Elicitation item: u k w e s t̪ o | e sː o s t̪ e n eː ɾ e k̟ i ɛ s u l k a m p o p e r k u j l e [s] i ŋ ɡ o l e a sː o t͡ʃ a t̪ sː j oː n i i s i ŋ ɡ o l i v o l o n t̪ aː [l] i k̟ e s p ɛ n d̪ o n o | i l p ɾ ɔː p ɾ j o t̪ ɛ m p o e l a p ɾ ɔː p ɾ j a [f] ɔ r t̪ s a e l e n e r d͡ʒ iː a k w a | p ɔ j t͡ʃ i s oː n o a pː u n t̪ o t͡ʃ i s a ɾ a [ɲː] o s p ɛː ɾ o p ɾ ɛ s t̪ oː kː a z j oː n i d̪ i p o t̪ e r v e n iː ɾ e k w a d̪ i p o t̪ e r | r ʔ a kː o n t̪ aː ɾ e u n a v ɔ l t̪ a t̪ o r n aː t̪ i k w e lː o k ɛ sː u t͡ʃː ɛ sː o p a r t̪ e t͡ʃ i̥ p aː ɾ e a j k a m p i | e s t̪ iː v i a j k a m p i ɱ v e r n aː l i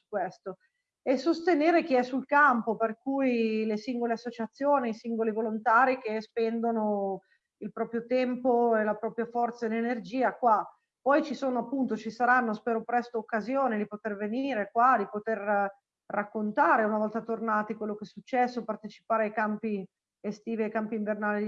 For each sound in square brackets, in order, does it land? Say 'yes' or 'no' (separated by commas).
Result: yes, no, yes, no